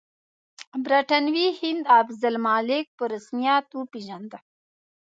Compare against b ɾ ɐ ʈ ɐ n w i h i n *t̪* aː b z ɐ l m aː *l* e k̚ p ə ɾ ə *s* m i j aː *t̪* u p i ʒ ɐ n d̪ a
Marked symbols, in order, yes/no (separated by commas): no, yes, yes, yes